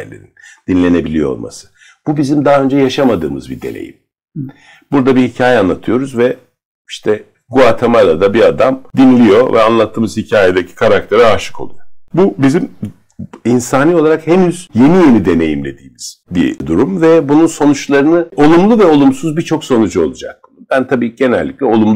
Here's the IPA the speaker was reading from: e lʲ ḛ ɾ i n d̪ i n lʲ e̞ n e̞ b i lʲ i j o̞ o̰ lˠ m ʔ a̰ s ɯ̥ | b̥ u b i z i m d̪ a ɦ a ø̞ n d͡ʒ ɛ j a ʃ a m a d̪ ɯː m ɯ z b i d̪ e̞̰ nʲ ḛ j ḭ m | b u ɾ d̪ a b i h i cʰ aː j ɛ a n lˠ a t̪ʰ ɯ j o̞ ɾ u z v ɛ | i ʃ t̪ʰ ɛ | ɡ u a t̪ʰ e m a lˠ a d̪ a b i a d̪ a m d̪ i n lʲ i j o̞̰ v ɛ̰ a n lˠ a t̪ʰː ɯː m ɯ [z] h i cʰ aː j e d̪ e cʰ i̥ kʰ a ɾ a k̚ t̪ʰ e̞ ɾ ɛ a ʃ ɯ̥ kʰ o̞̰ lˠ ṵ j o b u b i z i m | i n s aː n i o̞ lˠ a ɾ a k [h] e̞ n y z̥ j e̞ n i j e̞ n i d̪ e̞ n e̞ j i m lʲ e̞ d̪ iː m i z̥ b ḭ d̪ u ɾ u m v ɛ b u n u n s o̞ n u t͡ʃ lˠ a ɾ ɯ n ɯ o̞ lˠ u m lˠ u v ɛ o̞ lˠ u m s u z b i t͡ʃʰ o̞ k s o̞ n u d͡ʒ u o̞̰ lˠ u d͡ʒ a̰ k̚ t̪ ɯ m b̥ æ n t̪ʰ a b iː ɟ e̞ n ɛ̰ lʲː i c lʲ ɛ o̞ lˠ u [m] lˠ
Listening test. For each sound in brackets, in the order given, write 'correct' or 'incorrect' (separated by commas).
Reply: correct, correct, correct